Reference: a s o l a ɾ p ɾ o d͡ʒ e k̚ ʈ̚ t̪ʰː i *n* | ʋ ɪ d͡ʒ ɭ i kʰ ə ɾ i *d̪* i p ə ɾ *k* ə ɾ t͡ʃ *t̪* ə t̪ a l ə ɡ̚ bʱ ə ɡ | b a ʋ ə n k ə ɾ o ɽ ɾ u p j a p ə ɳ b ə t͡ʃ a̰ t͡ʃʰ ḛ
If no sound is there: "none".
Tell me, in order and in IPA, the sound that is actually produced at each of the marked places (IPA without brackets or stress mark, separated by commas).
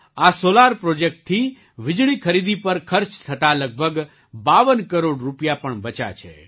none, d̪, kʰ, t̪ʰ